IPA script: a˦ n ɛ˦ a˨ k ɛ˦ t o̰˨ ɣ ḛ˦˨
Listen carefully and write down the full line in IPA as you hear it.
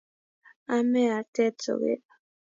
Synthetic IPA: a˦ m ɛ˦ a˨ t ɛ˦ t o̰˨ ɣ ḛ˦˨